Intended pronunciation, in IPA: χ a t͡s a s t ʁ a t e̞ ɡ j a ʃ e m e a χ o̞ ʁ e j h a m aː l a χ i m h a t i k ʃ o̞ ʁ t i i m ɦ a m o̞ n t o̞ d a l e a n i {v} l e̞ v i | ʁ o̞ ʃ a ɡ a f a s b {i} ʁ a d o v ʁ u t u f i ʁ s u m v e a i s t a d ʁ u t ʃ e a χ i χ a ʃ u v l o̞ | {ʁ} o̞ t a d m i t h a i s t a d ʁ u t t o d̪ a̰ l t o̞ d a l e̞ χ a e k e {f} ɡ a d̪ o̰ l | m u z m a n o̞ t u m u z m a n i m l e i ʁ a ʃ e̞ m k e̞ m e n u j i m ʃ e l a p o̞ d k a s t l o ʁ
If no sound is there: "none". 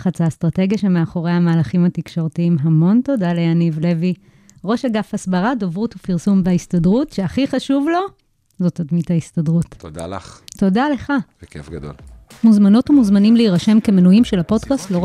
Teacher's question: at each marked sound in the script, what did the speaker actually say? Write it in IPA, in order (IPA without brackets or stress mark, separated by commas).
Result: v, a, z, f